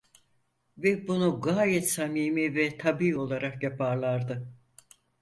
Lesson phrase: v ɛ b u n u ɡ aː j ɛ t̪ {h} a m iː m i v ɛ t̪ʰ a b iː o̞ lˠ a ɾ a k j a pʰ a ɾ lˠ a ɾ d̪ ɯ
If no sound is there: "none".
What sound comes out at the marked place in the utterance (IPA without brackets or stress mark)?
s